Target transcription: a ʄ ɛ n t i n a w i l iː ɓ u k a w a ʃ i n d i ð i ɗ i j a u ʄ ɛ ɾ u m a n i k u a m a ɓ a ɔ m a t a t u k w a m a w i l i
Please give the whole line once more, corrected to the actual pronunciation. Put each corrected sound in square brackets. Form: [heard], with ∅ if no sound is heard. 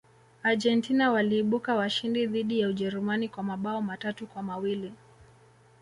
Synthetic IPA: a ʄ ɛ n t i n a w [a] l iː ɓ u k a w a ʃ i n d i ð i ɗ i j a u ʄ ɛ ɾ u m a n i k [w] a m a ɓ a ɔ m a t a t u k w a m a w i l i